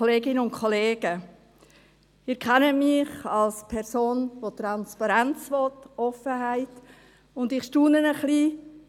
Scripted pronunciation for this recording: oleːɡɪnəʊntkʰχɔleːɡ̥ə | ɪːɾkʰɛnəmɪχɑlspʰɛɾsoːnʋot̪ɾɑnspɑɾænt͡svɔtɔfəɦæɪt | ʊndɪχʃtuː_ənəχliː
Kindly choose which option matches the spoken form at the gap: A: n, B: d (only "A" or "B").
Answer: A